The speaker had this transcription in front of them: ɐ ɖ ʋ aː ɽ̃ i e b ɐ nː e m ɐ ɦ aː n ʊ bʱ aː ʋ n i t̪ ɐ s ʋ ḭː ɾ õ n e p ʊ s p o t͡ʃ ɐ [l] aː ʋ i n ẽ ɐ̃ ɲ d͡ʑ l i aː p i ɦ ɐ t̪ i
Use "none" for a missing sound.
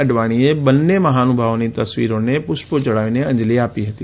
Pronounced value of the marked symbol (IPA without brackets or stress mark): ɽ